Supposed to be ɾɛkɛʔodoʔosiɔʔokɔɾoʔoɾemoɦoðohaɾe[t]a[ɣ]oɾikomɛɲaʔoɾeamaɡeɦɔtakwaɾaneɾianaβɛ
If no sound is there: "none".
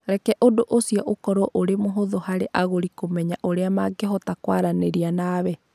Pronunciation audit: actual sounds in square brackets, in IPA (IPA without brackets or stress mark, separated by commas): ʔ, ɣ